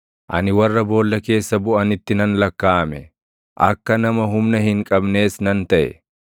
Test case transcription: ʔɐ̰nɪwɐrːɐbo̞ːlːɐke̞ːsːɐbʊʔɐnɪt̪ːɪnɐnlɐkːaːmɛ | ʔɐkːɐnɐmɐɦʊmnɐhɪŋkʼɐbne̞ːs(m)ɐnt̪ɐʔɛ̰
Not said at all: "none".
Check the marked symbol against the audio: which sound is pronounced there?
n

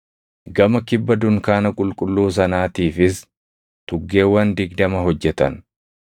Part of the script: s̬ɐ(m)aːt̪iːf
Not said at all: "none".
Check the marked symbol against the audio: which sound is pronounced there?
n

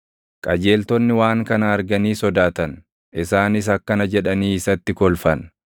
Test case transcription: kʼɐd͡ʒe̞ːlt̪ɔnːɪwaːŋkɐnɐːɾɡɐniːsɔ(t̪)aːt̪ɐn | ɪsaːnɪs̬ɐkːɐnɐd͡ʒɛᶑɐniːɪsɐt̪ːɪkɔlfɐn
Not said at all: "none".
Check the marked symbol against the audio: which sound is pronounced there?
d̪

